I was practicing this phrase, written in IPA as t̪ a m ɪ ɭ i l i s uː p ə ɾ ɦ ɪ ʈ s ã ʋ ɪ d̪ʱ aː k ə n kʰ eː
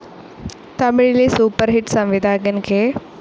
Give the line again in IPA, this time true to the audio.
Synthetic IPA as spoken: t̪ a m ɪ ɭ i l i s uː p ə ɾ ɦ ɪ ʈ s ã ʋ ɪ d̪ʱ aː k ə n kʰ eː